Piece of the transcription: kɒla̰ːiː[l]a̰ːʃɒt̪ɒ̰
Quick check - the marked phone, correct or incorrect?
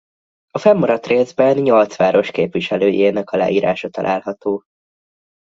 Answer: incorrect